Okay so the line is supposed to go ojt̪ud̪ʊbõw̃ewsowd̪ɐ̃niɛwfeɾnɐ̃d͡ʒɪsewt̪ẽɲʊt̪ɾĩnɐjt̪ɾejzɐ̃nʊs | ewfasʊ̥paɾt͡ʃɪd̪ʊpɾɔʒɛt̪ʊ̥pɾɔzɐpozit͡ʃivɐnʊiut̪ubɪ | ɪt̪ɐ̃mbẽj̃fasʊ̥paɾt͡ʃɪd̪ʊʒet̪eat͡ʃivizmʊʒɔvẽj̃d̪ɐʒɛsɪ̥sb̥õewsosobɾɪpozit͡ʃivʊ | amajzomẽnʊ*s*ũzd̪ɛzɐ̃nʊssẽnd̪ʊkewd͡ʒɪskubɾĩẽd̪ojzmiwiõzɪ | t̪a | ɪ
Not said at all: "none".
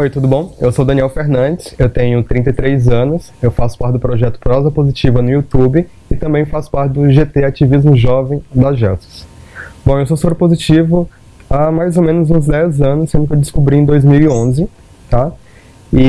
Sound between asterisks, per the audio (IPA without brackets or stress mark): z